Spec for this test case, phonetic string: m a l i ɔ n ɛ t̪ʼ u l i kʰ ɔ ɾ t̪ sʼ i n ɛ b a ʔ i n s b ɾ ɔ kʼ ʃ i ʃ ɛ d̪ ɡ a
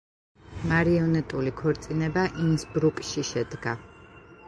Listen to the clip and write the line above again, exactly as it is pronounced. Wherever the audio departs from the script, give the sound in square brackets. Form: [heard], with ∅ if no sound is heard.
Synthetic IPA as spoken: m a [ɾ] i ɔ n ɛ t̪ʼ u l i kʰ ɔ ɾ t̪ sʼ i n ɛ b a ʔ i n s b ɾ [u] kʼ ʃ i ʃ ɛ d̪ ɡ a